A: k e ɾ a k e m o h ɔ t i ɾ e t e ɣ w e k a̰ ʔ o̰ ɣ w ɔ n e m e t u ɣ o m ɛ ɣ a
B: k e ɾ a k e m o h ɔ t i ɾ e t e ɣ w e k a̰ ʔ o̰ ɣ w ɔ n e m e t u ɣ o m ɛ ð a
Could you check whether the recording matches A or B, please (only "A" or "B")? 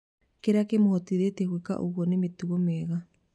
A